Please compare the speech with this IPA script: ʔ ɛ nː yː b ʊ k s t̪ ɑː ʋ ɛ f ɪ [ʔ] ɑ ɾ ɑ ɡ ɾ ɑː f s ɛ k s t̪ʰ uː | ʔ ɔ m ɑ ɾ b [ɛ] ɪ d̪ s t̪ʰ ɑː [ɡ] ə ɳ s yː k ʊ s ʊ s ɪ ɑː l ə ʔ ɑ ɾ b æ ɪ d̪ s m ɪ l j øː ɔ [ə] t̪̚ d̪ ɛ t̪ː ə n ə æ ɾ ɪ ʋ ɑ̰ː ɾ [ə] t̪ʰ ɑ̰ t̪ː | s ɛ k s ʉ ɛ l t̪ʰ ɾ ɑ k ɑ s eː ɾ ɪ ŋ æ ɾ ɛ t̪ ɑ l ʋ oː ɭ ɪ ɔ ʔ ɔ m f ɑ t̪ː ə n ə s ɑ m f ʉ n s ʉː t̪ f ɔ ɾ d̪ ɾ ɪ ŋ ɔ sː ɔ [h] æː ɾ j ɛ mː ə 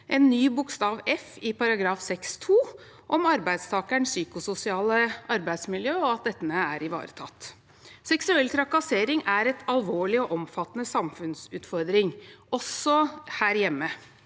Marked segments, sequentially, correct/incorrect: incorrect: p, incorrect: æ, incorrect: k, incorrect: ɑ, correct, correct

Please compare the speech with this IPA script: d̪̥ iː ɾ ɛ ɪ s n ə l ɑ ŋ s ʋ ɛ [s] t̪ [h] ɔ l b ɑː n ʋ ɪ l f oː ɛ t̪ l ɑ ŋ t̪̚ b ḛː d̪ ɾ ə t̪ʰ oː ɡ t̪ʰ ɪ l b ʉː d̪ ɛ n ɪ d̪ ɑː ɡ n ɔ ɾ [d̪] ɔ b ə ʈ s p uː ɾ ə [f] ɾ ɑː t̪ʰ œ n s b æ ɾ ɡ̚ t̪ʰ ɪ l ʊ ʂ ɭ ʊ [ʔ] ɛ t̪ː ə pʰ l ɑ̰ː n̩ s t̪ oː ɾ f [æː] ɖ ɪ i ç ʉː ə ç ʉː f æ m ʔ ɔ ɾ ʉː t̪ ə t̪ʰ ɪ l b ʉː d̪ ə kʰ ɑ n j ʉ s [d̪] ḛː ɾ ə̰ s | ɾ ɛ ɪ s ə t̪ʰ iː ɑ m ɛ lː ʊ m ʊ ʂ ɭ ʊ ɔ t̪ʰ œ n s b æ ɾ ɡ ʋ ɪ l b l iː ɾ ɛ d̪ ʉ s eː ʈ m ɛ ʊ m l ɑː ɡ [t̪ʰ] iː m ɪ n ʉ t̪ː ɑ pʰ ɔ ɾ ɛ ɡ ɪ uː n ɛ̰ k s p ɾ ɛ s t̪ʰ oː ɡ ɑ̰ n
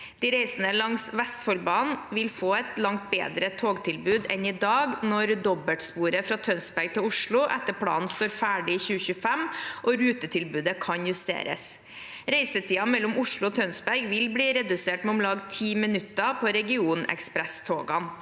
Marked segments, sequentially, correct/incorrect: correct, incorrect: f, correct, correct, correct, correct, incorrect: t̪, correct

